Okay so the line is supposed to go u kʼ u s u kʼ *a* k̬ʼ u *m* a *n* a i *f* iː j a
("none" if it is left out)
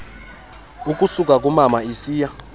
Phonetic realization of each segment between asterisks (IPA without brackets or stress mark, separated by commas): a, m, m, s